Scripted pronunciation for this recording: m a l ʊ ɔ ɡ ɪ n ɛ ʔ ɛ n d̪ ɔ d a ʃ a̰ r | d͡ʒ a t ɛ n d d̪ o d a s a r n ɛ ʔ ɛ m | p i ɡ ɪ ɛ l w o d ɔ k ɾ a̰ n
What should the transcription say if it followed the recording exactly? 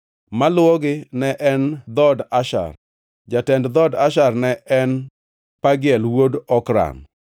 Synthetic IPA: m a l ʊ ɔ ɡ ɪ n ɛ ʔ ɛ n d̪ ɔ d a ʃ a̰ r | d͡ʒ a t ɛ n d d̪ ɔ d a ʃ a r n ɛ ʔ ɛ n | p a ɡ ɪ ɛ l w o d ɔ k ɾ a̰ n